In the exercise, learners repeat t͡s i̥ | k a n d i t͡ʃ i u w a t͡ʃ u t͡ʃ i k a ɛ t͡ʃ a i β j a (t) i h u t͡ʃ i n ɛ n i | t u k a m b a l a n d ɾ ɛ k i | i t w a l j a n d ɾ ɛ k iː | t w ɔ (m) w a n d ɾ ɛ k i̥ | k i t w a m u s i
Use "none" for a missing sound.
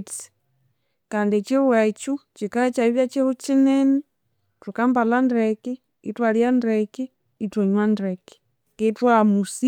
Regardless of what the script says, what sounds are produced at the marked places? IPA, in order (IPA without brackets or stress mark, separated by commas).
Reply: t͡ʃ, ɲ